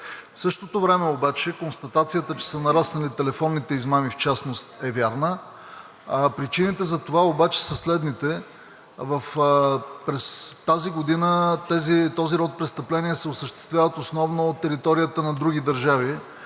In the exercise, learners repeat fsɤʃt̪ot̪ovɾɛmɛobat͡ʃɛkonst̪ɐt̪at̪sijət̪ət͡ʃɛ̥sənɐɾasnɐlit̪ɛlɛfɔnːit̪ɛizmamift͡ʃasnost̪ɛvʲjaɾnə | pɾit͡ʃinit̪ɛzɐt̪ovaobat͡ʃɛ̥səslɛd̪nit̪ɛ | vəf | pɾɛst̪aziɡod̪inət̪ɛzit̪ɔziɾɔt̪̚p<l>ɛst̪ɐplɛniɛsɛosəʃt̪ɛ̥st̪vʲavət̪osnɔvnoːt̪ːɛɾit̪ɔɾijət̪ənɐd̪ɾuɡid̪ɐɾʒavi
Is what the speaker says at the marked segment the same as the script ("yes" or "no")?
no